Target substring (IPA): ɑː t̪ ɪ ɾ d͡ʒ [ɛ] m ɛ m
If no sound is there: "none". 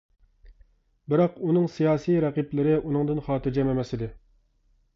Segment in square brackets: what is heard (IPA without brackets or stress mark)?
ɛ